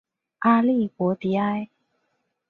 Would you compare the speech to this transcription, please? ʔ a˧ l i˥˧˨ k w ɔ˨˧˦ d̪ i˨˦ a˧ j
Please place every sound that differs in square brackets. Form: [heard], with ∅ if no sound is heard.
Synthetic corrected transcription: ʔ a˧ l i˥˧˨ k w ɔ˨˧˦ [t̪] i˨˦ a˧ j